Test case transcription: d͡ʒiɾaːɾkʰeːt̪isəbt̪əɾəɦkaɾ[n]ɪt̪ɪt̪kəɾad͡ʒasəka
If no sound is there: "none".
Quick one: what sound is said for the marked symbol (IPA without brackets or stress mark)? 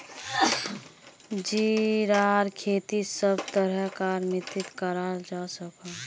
m